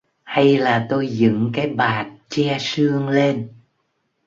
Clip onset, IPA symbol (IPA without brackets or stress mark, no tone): h